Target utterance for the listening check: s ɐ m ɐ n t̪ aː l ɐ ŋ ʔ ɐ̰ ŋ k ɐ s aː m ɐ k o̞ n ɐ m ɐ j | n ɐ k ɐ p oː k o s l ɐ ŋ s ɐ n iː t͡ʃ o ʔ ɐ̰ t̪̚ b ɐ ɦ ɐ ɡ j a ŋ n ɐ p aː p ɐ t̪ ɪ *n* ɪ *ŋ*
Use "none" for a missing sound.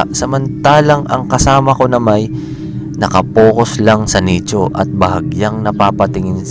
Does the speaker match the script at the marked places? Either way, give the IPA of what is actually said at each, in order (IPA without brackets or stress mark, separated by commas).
ŋ, n